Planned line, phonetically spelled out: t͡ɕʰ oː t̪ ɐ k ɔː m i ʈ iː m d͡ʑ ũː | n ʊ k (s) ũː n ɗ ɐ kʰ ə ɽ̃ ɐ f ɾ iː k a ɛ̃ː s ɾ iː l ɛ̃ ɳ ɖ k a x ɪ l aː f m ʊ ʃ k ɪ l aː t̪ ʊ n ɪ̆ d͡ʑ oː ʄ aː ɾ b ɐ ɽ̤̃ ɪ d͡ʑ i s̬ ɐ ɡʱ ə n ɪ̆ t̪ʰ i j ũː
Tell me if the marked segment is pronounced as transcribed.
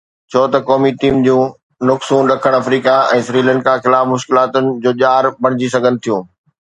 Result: yes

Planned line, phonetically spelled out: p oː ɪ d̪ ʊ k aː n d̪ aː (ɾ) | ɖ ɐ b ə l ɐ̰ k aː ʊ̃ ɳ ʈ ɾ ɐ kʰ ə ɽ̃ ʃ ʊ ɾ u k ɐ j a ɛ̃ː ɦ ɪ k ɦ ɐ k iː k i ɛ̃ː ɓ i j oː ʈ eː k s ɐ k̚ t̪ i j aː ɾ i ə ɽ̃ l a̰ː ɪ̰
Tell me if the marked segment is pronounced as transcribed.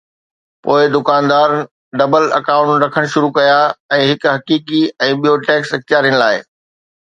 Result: yes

